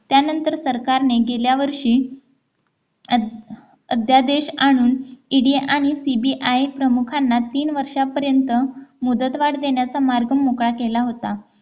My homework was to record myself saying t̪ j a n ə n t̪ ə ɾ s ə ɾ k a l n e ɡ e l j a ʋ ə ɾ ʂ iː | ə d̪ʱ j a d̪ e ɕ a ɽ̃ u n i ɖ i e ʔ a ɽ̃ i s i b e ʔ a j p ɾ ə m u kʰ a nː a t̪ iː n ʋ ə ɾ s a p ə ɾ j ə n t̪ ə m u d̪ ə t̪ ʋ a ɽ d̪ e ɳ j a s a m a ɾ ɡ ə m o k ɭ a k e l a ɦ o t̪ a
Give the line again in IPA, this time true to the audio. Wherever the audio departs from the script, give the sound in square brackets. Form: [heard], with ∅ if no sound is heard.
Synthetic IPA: t̪ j a n ə n t̪ ə ɾ s ə ɾ k a [ɾ] n e ɡ e l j a ʋ ə ɾ ʂ iː | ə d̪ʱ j a d̪ e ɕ a ɽ̃ [uː] n i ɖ i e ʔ a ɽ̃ i s i b [i] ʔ a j p ɾ ə m u kʰ a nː a t̪ iː n ʋ ə ɾ [ʂ] a p ə ɾ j ə n t̪ ə m u d̪ ə t̪ ʋ a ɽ d̪ e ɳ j a [t͡s] a m a ɾ ɡ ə m o k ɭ a k e l a ɦ o t̪ a